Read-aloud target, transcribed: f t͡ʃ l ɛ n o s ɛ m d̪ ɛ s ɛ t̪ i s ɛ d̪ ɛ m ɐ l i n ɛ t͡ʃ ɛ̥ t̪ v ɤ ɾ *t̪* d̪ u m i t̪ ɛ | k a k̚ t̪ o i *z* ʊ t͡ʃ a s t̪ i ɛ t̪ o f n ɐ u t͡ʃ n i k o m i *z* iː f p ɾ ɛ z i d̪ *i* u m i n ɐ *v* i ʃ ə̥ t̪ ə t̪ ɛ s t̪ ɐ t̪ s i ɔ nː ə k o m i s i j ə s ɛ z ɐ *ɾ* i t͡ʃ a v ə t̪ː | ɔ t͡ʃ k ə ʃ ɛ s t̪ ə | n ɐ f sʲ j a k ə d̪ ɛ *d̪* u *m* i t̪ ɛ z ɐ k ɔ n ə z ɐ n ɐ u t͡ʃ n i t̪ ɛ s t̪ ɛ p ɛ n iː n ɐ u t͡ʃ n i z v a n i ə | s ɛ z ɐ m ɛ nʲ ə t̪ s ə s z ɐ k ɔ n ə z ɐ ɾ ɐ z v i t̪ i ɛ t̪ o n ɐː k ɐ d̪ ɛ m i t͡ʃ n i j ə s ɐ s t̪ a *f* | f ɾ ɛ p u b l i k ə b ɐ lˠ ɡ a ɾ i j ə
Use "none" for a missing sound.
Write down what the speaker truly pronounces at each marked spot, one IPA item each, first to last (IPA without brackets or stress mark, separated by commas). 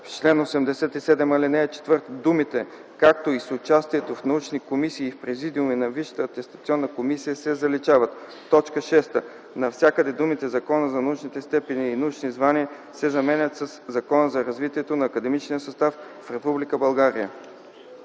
t̪, s, s, i, v, l, d̪, m, f